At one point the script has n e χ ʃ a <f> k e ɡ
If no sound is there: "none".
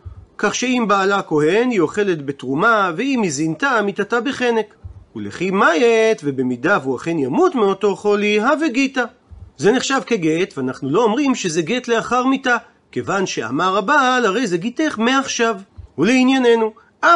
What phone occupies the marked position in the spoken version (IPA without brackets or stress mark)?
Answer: v